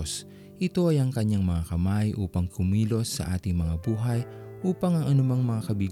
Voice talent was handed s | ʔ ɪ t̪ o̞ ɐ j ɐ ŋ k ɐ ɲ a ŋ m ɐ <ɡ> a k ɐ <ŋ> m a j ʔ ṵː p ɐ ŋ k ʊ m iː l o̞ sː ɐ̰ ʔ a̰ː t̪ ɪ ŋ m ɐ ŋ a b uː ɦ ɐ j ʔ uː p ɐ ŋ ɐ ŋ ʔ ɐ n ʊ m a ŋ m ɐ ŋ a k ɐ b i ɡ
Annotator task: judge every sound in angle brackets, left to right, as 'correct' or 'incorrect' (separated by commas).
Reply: incorrect, incorrect